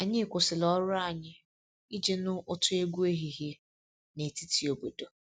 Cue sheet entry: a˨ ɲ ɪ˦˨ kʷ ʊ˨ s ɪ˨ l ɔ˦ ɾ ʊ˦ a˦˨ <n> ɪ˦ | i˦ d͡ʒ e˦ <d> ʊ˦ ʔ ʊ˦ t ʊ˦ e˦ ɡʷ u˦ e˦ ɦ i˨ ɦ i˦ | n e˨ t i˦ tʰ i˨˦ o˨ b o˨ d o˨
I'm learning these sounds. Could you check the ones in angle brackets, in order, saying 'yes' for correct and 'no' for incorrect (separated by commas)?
no, no